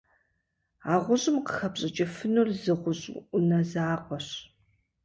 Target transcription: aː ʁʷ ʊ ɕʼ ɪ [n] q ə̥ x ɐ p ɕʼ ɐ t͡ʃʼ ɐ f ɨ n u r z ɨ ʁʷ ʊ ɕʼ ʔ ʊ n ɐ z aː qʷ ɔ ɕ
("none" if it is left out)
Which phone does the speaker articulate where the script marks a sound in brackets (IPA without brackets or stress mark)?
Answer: m